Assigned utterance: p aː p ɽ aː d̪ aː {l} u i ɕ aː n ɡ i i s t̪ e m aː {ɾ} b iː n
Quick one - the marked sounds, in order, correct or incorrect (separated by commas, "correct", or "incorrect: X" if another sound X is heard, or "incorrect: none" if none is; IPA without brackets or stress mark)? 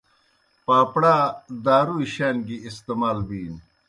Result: incorrect: ɾ, incorrect: l